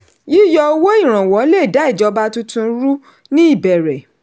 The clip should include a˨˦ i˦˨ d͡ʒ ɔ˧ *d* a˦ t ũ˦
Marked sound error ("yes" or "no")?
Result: yes